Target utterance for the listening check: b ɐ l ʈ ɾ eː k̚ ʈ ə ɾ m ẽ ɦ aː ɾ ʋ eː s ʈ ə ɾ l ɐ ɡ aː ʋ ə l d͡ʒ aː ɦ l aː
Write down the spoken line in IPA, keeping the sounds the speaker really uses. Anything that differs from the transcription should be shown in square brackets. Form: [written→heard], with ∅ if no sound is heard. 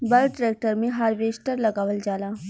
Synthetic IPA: b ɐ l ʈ ɾ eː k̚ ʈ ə ɾ m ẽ ɦ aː ɾ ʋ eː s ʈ ə ɾ l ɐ ɡ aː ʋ ə l d͡ʒ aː [ɦ→∅] l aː